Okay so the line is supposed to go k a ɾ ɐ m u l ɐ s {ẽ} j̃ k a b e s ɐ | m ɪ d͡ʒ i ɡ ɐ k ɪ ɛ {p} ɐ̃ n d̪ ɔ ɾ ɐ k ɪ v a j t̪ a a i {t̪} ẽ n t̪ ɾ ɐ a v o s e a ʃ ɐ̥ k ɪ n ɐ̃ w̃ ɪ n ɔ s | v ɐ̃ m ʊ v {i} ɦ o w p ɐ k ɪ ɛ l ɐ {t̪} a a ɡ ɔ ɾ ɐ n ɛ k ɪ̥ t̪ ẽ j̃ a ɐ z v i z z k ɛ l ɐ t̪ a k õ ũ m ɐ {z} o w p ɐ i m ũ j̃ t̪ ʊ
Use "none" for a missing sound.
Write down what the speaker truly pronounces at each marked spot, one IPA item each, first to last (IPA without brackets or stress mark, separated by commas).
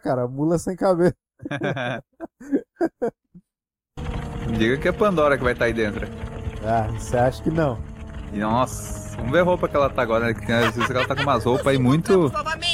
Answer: ẽ, p, d̪, e, t̪, z